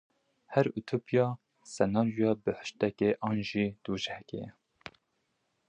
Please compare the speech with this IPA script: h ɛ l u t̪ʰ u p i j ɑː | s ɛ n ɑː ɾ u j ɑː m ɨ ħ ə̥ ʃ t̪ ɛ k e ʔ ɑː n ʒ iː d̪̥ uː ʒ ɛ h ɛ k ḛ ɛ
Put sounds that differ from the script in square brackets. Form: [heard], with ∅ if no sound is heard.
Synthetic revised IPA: h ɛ [ɾ] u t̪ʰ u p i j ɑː | s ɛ n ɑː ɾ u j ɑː [b] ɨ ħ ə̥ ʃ t̪ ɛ k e ʔ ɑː n ʒ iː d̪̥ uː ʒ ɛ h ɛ k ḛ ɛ